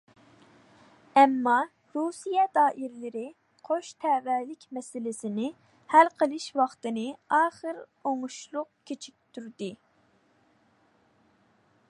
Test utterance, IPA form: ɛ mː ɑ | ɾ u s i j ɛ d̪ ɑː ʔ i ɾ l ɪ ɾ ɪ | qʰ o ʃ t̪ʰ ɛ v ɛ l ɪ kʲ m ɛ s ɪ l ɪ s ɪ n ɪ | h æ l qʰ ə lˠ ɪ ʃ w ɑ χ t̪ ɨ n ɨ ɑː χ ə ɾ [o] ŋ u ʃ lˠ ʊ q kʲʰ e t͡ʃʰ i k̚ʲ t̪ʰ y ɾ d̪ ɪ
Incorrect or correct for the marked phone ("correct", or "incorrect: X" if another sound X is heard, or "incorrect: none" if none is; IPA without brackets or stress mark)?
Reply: correct